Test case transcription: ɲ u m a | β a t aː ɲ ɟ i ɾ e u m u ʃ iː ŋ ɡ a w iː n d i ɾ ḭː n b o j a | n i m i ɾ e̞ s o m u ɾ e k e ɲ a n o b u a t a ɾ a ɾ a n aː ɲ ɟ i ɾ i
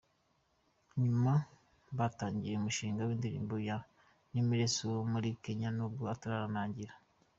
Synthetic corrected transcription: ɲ u m a | β a t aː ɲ ɟ i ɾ e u m u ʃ iː ŋ ɡ a w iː n d i ɾ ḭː m b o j a | n i m i ɾ e̞ s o m u ɾ i k e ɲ a n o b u a t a ɾ a ɾ a n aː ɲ ɟ i ɾ a

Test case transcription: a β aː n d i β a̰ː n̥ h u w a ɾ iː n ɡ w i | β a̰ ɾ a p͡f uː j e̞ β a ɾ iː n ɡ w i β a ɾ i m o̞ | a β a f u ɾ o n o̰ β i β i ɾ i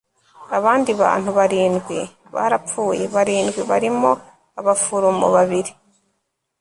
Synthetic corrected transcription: a β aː n d i β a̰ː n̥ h u β a ɾ iː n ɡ w i | β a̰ ɾ a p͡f uː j e̞ β a ɾ iː n ɡ w i β a ɾ i m o̞ | a β a f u ɾ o m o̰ β a β i ɾ i

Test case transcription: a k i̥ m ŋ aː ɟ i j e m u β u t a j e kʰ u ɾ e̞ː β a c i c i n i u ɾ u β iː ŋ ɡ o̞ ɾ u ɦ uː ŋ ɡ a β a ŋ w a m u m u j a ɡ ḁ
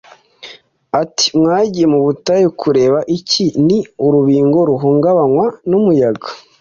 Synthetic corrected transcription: a t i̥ m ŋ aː ɟ i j e m u β u t a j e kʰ u ɾ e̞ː β a ʔ i c i n i u ɾ u β iː ŋ ɡ o̞ ɾ u ɦ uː ŋ ɡ a β a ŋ w a n u m u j a ɡ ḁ

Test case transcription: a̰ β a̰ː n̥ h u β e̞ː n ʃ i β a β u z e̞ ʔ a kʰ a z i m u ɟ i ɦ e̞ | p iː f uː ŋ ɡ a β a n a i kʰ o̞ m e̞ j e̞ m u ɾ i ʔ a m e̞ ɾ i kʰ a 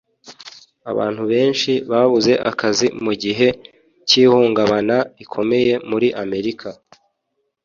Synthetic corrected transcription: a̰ β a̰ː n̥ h u β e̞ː n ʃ i β a β u z e̞ ʔ a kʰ a z i m u ɟ i ɦ e̞ | c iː h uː ŋ ɡ a β a n a i kʰ o̞ m e̞ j e̞ m u ɾ i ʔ a m e̞ ɾ i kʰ a

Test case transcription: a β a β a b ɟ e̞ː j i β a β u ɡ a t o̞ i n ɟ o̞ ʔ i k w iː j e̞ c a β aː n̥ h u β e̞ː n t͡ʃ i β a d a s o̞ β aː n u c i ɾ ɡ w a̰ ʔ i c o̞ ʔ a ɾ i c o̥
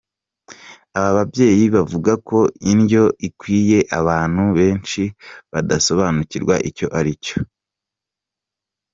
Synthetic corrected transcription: a β a β a b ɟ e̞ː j i β a v u ɡ a k o̞ i n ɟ o̞ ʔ i k w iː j e̞ ʔ a β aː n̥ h u β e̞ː n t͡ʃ i β a d a s o̞ β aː n u c i ɾ ɡ w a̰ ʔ i c o̞ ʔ a ɾ i c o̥

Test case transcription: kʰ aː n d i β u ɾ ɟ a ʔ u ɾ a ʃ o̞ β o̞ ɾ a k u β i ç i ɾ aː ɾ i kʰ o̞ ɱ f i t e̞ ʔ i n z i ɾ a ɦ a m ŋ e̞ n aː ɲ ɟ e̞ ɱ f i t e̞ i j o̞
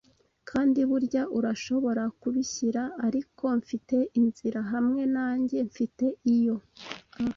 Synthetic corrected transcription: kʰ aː n d i β u ɾ ɟ a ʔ u ɾ a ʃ o̞ β o̞ ɾ a k u β i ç i ɾ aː ɾ i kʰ o̞ ɱ f i t e̞ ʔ i n z i ɾ a ɦ a m ŋ e̞ n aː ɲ ɟ e̞ ɱ f i t e̞ i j o̞

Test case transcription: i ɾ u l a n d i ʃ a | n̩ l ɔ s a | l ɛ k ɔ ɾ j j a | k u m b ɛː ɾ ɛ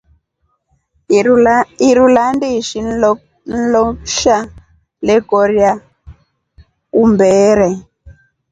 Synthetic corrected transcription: i ɾ u l a n d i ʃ i | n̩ l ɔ ʃ a | l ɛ k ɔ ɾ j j a | k u m b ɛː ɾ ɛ

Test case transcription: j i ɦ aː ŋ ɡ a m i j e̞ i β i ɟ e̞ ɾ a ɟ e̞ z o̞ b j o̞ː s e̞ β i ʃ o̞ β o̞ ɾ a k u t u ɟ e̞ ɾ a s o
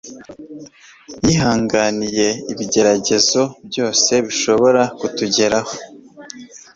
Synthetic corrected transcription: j i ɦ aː ŋ ɡ a n i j e̞ i β i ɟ e̞ ɾ a ɟ e̞ z o̞ b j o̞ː s e̞ β i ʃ o̞ β o̞ ɾ a k u t u ɟ e̞ ɾ a h o

